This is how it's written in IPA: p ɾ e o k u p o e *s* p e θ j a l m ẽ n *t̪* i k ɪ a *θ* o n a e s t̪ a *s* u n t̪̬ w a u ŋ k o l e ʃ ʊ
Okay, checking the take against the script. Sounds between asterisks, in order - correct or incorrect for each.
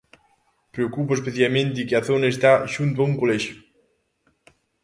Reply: correct, correct, correct, incorrect: ʃ

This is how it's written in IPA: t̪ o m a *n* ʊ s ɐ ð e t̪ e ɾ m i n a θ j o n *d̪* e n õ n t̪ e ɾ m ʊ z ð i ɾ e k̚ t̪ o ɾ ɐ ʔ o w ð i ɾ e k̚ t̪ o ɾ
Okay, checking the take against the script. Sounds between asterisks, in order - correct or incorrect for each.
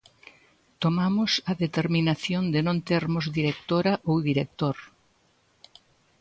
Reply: incorrect: m, correct

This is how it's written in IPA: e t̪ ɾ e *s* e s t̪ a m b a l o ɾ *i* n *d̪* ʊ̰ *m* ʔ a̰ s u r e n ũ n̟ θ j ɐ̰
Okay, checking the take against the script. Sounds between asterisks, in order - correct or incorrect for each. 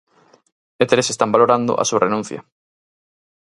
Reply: correct, incorrect: a, correct, incorrect: none

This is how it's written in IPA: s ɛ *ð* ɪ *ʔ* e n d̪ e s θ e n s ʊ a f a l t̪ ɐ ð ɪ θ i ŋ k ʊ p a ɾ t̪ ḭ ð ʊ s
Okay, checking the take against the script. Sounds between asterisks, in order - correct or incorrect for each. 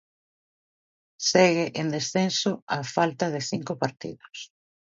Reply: incorrect: ɣ, correct

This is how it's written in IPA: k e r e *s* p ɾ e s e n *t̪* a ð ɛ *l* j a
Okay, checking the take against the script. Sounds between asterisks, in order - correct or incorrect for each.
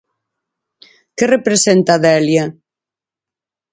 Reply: incorrect: none, correct, correct

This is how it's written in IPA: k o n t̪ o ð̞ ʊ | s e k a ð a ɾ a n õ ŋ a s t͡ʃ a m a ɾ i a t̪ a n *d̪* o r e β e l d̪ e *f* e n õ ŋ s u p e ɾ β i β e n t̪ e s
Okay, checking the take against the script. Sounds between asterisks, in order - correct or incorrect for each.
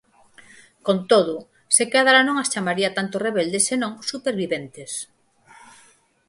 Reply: incorrect: t̪, incorrect: s

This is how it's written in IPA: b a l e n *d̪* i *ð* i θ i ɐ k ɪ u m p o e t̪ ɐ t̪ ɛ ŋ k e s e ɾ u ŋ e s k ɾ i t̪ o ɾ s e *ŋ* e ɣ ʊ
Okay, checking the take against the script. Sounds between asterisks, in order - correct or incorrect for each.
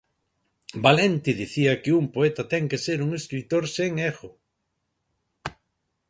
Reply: incorrect: t̪, correct, correct

